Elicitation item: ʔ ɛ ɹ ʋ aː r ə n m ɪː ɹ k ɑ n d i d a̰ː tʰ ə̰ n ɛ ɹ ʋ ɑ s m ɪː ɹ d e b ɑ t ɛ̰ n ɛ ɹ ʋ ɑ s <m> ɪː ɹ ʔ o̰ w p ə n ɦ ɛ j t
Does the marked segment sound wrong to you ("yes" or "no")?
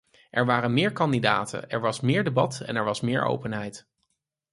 no